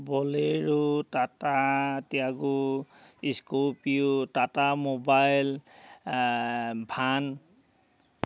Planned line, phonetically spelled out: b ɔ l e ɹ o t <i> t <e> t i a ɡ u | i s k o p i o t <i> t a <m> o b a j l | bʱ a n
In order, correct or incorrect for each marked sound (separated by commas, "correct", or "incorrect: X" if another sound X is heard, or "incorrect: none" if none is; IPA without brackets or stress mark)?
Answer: incorrect: a, incorrect: a, incorrect: a, correct